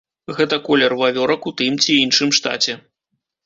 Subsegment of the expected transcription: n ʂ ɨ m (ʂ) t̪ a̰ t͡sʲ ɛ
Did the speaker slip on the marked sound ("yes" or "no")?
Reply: no